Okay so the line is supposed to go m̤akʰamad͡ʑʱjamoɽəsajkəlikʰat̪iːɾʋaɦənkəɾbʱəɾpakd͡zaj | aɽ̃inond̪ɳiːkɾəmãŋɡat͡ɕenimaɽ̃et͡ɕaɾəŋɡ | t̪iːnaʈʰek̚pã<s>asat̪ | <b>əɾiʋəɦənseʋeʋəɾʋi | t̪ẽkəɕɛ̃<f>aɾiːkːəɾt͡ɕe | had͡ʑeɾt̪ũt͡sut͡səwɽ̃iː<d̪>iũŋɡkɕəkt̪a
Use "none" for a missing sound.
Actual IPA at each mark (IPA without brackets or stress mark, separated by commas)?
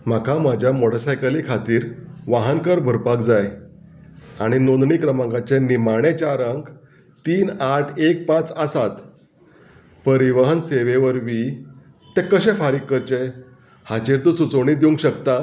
t͡s, p, f, d̪